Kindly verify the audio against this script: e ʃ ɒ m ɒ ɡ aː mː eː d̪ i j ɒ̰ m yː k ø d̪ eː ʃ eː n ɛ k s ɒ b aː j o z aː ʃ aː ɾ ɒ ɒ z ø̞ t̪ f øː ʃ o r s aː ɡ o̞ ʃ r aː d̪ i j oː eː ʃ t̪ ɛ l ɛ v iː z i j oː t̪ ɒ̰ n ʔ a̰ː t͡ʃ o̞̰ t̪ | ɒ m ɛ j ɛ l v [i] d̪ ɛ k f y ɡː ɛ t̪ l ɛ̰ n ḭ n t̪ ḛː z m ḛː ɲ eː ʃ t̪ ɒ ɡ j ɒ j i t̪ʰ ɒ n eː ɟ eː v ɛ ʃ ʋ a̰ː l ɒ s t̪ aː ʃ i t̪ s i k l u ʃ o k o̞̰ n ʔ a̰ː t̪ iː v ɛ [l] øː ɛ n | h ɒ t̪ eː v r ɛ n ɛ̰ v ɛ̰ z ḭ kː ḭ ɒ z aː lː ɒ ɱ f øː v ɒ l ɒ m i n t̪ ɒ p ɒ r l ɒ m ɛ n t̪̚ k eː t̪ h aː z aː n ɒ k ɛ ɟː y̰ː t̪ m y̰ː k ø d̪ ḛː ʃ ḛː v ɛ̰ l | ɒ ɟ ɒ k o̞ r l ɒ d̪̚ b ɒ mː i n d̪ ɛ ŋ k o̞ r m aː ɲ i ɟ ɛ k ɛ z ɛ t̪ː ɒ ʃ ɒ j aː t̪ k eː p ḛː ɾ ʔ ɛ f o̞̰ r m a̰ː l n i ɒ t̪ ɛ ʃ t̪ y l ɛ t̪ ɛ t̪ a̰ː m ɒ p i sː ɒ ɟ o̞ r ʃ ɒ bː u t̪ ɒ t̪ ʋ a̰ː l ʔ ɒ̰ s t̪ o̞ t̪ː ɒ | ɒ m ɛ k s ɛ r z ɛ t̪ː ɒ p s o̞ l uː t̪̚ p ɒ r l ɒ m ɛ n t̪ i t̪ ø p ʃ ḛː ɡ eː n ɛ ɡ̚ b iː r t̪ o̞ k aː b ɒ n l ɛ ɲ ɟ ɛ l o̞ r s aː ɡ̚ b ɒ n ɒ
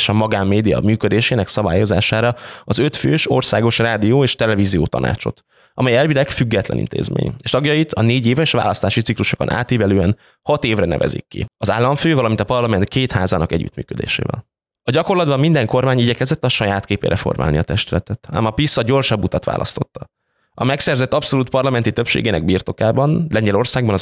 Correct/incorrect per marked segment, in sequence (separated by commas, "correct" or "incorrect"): correct, correct